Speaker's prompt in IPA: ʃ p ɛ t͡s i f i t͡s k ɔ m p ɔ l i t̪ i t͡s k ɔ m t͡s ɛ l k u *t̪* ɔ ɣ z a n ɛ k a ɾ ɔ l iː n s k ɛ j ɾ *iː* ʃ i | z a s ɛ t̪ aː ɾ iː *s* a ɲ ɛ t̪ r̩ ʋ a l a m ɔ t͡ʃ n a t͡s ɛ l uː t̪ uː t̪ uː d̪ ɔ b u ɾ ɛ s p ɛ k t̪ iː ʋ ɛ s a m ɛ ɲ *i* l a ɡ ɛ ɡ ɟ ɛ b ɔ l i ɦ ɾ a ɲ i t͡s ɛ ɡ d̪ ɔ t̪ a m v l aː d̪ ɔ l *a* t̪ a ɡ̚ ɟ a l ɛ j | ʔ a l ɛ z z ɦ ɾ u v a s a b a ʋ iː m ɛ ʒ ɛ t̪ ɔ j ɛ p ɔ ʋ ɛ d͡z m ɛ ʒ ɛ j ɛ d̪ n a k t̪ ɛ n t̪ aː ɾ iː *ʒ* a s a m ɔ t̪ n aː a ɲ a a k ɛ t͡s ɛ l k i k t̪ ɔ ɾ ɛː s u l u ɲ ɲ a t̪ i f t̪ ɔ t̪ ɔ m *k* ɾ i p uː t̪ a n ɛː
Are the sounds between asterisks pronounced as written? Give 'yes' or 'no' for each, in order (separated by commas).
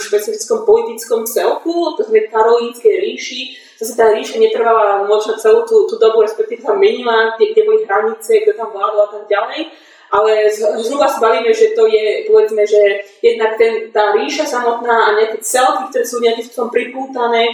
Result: yes, yes, no, yes, yes, no, no